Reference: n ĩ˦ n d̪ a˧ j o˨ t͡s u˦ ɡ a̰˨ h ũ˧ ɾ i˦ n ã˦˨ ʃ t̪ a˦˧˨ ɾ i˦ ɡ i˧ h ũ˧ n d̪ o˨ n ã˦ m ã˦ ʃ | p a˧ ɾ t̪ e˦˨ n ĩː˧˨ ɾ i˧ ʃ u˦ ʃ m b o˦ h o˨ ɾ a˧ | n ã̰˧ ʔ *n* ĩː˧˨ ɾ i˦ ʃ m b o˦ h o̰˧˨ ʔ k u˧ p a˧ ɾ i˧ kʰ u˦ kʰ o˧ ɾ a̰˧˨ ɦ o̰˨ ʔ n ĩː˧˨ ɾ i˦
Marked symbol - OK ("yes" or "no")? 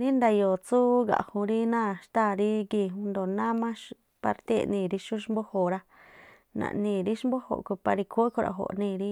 yes